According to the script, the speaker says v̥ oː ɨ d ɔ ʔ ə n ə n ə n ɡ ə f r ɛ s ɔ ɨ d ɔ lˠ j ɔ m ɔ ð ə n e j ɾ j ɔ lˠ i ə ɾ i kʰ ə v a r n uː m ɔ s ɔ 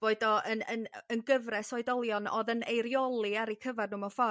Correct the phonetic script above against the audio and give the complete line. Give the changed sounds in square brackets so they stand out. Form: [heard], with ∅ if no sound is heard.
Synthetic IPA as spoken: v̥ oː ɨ d ɔ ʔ ə n ə n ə n ɡ ə [v] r ɛ s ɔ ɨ d ɔ lˠ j ɔ [n] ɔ ð ə n e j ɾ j ɔ lˠ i [a] ɾ i kʰ ə v a r n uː m ɔ [f] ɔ

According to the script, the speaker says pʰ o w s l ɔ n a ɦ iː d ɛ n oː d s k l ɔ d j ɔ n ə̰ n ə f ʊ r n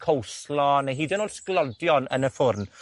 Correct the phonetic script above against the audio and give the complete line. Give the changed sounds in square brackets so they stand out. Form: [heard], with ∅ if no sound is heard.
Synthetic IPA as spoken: [kʰ] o w s l ɔ n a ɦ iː d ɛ n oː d s k l ɔ d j ɔ n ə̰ n ə f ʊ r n

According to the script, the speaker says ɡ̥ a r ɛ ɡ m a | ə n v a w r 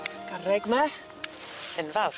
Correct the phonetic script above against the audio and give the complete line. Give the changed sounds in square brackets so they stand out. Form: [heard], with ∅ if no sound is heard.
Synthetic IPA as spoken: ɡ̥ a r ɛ ɡ m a | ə n v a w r

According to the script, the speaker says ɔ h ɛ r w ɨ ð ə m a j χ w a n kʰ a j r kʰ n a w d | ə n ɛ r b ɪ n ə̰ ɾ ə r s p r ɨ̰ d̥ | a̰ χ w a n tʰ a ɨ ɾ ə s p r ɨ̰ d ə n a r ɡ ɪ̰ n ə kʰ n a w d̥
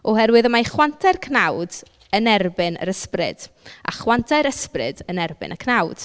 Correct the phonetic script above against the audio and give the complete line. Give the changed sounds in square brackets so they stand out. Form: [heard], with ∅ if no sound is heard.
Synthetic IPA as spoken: ɔ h ɛ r w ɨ ð ə m a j χ w a n [tʰ] a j r kʰ n a w d | ə n ɛ r b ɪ n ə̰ ɾ ə [∅] s p r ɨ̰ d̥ | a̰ χ w a n tʰ a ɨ ɾ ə s p r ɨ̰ d ə n [ɛ] r [b] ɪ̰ n ə kʰ n a w d̥

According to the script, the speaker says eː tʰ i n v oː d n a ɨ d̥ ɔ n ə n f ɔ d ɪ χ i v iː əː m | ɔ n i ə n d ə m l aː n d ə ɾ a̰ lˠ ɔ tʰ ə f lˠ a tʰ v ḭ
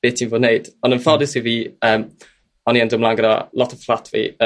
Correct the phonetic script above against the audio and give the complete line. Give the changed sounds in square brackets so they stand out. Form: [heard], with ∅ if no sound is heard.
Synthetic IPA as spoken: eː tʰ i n v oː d n [e] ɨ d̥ ɔ n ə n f ɔ d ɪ [s] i v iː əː m | ɔ n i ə n d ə m l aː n [ɡ] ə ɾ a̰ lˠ ɔ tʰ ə f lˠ a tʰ v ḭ

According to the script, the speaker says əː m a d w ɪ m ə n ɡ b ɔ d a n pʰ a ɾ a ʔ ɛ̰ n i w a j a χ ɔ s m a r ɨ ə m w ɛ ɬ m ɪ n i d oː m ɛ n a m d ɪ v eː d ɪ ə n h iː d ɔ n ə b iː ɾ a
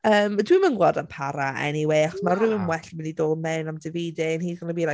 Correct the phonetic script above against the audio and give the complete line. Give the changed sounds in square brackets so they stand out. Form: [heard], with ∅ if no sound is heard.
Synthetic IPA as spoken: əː m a d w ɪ m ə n ɡ [w] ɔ d a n pʰ a ɾ a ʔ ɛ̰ n i w [e] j a χ ɔ s m a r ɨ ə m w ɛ ɬ m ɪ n i d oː m ɛ n a m d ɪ v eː d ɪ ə n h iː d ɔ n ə b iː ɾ a

